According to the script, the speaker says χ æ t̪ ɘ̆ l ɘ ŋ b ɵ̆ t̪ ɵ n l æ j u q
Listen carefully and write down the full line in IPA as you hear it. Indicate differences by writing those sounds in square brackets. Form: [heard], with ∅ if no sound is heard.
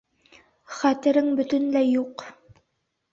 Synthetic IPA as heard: χ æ t̪ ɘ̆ [ɾ] ɘ ŋ b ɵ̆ t̪ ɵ n l æ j u q